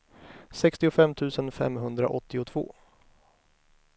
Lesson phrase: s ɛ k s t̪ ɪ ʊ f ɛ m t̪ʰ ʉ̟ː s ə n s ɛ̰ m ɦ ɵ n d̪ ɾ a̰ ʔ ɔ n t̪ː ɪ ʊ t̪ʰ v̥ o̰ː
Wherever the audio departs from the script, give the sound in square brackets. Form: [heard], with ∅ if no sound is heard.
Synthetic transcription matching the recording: s ɛ k s t̪ ɪ ʊ f ɛ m t̪ʰ ʉ̟ː s ə n [f] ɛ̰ m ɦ ɵ n d̪ ɾ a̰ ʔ ɔ [∅] t̪ː ɪ ʊ t̪ʰ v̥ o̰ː